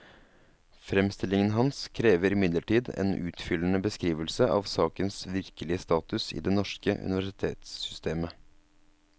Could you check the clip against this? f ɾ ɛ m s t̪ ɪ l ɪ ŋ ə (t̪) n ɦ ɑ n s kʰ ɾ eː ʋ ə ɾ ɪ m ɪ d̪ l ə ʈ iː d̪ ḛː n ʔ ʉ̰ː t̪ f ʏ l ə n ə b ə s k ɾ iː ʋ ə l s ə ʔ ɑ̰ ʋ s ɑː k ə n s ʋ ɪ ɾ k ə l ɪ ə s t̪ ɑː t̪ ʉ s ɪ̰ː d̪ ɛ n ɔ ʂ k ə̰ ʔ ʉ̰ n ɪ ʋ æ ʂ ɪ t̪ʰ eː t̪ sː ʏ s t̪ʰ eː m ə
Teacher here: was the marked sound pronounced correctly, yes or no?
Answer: no